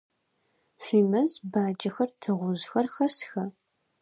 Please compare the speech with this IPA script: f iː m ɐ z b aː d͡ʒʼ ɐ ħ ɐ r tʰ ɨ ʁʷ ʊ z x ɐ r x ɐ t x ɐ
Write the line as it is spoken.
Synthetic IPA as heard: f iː m ɐ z b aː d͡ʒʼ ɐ x ɐ r tʰ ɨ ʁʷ ʊ z x ɐ r x ɐ s x ɐ